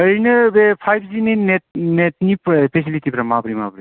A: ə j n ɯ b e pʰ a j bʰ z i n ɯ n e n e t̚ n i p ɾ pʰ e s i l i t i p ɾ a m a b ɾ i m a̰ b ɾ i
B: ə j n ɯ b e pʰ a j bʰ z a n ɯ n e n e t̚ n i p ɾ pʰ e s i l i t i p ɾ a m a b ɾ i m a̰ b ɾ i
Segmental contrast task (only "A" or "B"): A